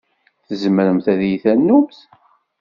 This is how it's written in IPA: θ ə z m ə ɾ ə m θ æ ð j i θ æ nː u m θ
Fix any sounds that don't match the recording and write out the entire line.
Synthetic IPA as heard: θ ə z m ə ɾ ə m θ æ ð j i θ æ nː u m θ